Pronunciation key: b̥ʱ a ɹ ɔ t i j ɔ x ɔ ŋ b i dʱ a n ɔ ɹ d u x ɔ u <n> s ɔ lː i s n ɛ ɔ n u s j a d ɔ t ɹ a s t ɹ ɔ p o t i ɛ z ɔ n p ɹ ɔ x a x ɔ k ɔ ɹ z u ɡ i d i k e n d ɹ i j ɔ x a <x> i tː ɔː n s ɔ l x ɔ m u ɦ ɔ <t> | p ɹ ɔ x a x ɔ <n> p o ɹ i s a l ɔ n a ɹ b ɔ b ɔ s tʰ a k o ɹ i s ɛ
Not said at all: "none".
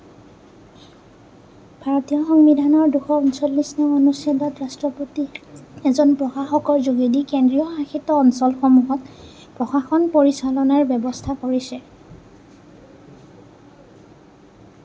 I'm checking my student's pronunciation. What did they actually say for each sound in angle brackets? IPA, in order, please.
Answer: n, x, t, n

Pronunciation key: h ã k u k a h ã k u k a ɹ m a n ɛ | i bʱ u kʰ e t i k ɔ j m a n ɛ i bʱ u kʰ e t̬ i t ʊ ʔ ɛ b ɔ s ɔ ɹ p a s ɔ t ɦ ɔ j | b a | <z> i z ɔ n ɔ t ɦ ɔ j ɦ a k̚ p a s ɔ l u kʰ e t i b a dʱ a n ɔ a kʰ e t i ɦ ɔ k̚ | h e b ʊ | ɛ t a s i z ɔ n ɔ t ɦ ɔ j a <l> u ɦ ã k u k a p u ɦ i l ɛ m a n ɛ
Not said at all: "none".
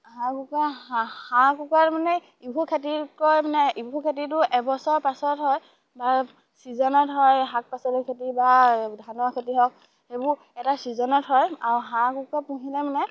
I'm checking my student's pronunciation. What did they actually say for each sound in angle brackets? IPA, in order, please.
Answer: s, ɹ

